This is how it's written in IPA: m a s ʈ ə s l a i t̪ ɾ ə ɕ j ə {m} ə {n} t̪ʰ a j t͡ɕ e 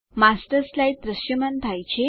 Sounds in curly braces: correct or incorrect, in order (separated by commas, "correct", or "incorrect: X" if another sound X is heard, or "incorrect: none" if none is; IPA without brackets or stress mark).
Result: correct, correct